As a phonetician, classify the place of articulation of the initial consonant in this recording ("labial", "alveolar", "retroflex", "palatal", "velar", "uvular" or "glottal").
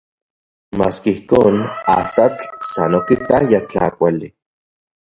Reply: labial